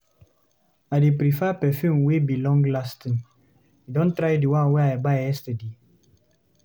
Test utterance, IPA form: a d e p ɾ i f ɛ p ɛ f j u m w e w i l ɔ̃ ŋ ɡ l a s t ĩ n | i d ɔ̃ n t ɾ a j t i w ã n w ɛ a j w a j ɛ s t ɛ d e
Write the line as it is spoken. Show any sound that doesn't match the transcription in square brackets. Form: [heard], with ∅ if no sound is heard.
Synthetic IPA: a d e p ɾ i f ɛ p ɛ f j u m w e [b] i l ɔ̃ ŋ ɡ l a s t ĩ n | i d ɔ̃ n t ɾ a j [d] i w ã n w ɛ a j [b] a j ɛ s t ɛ d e